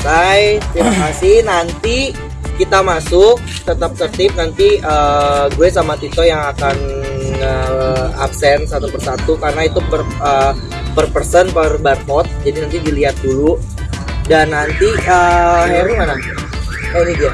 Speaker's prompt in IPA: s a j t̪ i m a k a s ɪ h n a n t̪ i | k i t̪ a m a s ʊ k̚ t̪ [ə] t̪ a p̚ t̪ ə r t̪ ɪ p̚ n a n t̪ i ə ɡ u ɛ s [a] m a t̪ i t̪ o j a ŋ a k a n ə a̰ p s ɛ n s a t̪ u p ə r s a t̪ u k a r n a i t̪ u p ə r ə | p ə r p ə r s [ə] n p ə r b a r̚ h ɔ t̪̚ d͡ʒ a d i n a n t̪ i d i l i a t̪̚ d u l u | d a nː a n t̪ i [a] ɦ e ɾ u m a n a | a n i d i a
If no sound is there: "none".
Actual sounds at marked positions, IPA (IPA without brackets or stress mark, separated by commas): ə, a, ə, ə